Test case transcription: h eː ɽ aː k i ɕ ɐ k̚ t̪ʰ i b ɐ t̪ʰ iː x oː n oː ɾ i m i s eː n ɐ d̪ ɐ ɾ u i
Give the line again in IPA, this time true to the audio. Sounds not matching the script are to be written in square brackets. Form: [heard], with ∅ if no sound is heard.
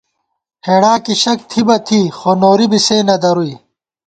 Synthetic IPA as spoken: h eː ɽ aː k i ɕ ɐ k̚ t̪ʰ i b ɐ t̪ʰ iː x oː n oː ɾ i [b] i s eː n ɐ d̪ ɐ ɾ u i